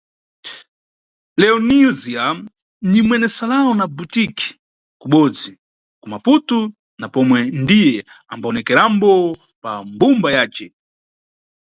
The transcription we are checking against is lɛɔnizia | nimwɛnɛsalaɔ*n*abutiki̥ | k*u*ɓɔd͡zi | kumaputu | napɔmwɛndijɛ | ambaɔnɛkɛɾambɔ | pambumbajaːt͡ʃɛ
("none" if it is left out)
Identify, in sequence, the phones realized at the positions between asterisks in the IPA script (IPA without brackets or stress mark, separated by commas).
n, u